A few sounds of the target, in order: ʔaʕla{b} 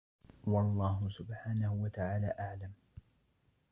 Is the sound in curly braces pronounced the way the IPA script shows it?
no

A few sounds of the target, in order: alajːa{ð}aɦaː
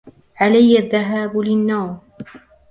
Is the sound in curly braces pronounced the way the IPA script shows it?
no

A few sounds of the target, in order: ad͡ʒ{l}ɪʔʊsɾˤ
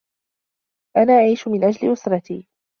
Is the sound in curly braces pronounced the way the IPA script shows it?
yes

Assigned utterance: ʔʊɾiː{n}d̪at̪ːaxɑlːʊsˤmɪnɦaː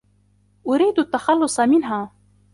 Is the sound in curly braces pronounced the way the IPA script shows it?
no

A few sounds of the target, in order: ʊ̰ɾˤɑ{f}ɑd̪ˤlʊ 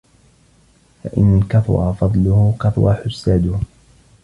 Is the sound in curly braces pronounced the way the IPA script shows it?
yes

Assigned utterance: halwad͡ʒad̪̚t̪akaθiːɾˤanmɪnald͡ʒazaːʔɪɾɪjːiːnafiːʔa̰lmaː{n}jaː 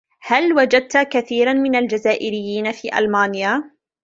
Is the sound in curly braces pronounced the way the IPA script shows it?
yes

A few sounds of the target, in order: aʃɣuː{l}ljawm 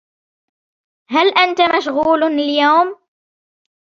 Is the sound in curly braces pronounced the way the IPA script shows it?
yes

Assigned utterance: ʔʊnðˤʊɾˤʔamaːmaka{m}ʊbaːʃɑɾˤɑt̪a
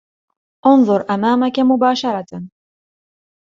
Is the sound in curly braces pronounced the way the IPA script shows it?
yes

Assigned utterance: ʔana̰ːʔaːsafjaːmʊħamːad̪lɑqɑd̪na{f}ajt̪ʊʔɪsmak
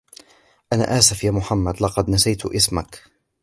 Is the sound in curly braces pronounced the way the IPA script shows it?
no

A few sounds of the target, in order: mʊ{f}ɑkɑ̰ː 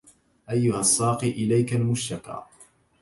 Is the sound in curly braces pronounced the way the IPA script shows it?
no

